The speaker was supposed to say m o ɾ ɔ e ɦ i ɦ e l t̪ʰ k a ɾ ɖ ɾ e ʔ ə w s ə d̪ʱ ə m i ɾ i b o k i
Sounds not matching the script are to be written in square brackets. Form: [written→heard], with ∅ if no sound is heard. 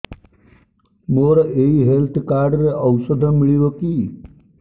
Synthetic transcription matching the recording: m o ɾ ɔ e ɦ i ɦ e l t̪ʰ k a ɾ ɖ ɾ e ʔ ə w s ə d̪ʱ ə m i [ɾ→ɭ] i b o k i